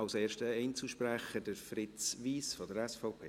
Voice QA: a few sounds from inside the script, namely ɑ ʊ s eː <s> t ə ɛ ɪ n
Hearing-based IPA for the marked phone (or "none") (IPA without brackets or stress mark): ʃ